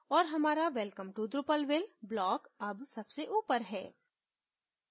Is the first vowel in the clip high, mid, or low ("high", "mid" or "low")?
mid